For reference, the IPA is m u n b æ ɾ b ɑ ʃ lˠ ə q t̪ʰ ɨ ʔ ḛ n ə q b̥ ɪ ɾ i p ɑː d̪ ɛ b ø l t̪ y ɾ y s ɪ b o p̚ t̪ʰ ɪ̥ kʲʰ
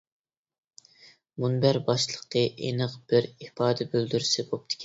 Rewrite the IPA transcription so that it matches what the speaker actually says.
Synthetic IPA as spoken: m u n b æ ɾ b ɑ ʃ lˠ ə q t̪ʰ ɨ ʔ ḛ n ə q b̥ ɪ ɾ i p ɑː d̪ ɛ b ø l d̪ y ɾ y s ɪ b o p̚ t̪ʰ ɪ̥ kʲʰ